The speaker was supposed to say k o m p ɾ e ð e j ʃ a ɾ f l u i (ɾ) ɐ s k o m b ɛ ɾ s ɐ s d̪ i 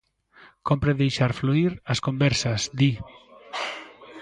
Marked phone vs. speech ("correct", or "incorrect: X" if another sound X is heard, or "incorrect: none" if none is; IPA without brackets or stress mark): correct